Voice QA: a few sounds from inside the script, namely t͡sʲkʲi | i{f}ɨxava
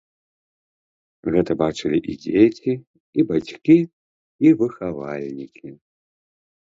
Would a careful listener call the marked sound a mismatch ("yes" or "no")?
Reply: yes